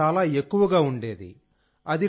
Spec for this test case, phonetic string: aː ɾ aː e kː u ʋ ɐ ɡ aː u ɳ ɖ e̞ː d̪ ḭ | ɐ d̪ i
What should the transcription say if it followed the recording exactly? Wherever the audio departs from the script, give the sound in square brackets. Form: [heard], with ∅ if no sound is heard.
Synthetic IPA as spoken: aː [l] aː e kː u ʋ ɐ ɡ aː u ɳ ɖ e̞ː d̪ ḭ | ɐ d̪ i